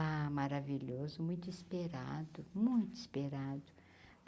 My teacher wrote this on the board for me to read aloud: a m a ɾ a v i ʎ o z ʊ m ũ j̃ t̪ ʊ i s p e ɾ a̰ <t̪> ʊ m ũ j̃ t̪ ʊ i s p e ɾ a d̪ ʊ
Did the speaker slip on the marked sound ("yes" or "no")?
yes